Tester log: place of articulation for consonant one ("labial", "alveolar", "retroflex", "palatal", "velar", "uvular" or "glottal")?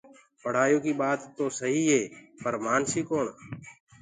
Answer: labial